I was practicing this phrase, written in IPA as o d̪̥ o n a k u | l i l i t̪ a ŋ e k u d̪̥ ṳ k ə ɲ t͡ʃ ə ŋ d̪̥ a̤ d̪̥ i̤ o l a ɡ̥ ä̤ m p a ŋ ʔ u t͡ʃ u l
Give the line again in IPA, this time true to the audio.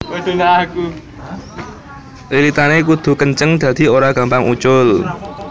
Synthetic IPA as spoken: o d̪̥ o n a k u | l i l i t̪ a n e k u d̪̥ ṳ k ə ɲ t͡ʃ ə ŋ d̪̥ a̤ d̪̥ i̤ o ɾ a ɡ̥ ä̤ m p a ŋ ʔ u t͡ʃ ʊ l